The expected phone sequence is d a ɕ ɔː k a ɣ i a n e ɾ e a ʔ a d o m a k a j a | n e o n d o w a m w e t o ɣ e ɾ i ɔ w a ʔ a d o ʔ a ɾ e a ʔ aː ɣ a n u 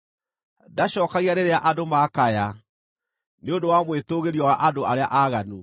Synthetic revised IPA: d a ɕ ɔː k a ɣ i a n e ɾ e a ʔ a d o m a k a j a | n e o n d o w a m w e t o ɣ e ɾ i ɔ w a ʔ a d o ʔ a ɾ e a ʔ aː ɣ a n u